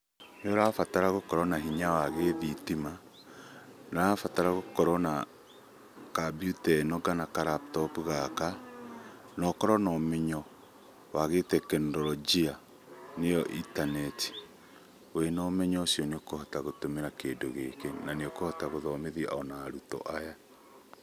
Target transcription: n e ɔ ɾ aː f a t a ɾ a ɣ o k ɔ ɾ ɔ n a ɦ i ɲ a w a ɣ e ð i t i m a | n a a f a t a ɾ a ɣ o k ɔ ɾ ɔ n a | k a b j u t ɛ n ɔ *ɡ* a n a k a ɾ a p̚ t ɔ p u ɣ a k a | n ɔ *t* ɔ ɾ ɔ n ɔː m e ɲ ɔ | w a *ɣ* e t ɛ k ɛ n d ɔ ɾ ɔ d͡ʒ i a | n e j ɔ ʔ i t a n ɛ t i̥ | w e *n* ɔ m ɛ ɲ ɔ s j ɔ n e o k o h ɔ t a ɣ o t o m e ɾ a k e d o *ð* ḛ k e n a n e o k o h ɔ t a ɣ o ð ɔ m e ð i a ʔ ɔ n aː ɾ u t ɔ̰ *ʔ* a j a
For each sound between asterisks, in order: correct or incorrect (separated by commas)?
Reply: correct, incorrect, correct, correct, incorrect, correct